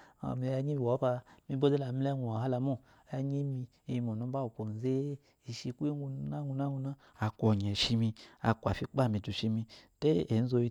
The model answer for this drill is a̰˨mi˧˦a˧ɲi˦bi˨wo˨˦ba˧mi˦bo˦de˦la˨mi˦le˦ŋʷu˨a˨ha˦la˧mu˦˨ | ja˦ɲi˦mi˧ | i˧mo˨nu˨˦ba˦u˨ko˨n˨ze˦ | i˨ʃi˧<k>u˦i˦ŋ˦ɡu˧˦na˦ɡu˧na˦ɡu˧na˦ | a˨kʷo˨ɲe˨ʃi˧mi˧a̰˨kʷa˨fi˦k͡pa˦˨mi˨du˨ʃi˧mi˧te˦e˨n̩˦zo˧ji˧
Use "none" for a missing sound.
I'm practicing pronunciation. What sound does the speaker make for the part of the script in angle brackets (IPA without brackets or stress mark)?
k